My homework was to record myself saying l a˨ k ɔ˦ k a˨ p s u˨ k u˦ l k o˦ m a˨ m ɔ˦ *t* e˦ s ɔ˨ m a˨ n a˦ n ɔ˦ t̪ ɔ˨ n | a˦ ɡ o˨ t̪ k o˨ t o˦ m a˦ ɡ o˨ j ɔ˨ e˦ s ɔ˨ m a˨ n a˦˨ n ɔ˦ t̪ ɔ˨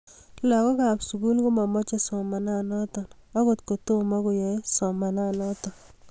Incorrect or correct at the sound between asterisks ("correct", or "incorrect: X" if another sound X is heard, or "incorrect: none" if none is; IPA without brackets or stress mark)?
incorrect: t͡ʃ